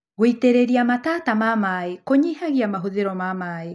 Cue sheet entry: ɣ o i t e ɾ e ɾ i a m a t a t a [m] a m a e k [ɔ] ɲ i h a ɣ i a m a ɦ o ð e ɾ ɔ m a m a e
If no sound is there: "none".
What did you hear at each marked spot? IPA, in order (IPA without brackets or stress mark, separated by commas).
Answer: m, o